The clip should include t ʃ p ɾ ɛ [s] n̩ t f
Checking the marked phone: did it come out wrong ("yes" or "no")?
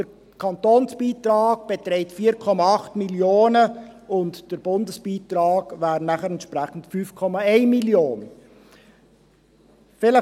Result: yes